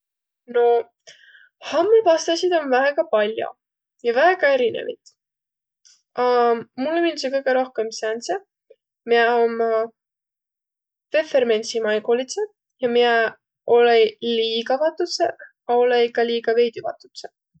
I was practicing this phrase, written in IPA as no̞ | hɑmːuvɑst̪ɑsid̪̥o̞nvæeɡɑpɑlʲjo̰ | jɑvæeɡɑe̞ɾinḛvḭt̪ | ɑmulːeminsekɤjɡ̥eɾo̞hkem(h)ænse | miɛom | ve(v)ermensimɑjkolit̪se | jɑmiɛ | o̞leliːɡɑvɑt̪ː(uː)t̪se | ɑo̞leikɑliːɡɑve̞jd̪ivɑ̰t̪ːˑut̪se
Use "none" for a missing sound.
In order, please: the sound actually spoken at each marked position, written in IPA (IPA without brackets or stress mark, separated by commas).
s, f, u